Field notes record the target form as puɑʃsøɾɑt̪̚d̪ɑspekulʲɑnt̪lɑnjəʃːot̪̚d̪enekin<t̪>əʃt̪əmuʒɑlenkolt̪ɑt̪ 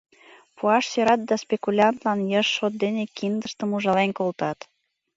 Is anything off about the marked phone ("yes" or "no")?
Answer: yes